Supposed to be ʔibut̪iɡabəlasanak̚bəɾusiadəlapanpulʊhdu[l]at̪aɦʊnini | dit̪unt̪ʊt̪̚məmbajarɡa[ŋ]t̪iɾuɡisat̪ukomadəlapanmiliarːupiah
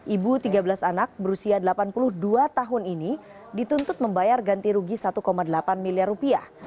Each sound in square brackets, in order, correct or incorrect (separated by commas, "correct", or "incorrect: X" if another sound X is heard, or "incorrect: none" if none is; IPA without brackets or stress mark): incorrect: none, incorrect: n